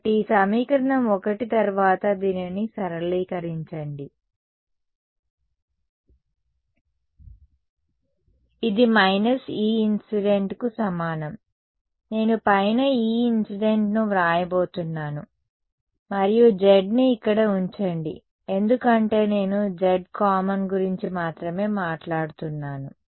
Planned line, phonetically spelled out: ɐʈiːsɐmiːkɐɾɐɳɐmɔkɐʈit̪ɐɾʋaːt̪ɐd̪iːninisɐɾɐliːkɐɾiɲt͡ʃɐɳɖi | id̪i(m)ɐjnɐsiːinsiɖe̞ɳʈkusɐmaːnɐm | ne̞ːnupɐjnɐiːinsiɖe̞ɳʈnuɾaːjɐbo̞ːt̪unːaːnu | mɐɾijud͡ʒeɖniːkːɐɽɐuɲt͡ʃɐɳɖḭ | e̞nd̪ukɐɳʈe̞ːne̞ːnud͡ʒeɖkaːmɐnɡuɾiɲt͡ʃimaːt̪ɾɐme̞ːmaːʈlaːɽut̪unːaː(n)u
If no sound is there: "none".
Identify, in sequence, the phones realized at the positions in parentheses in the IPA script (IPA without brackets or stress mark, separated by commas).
m, n